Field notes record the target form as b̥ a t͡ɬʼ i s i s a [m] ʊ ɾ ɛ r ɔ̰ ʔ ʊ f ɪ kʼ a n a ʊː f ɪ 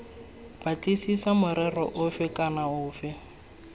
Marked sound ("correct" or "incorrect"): correct